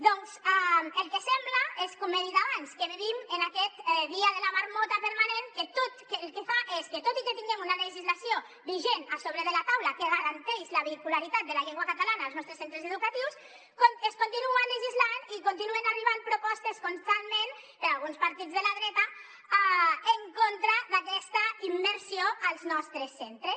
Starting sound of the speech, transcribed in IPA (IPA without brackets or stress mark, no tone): d̪